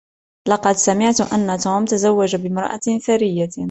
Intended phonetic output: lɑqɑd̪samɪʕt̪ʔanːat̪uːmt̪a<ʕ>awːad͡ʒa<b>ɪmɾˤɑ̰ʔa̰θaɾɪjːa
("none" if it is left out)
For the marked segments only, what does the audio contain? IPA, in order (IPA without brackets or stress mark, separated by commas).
z, b